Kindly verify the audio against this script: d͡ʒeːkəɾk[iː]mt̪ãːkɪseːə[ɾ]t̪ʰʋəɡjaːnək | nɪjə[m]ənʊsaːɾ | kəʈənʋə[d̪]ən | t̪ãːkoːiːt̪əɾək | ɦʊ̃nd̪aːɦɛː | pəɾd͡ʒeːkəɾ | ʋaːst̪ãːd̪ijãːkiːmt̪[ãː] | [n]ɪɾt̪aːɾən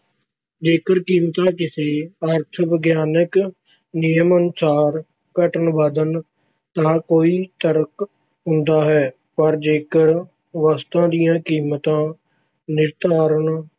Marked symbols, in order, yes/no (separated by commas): yes, yes, yes, yes, yes, yes